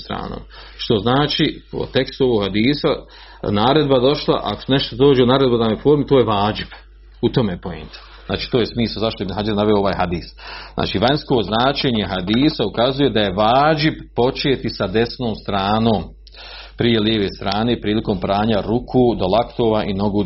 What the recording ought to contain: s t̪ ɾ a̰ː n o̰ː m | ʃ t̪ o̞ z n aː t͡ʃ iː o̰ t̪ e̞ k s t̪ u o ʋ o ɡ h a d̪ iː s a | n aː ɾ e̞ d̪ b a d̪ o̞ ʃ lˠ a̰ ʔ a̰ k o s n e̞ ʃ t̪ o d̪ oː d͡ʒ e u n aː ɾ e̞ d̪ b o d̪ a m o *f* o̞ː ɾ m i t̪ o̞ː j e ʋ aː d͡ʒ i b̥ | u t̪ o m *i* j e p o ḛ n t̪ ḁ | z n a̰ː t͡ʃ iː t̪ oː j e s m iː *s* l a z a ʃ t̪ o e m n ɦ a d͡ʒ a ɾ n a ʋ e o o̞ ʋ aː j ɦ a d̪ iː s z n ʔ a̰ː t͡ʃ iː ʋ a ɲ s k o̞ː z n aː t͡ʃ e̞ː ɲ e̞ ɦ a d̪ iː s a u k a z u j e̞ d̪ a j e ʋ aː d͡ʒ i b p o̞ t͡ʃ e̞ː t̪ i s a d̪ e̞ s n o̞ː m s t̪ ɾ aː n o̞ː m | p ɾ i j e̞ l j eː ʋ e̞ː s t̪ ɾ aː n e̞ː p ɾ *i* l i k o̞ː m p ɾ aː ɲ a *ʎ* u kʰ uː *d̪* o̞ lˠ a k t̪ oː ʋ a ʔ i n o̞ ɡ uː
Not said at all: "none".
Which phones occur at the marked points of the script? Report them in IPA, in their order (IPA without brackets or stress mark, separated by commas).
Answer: f, e, s, iː, ɾ, d̪